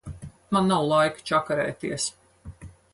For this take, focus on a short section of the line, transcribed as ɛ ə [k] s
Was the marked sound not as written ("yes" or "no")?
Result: yes